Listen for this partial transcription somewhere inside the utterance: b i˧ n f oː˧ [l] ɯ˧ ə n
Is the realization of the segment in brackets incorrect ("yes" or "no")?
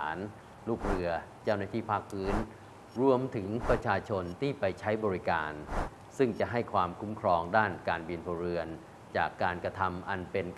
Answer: yes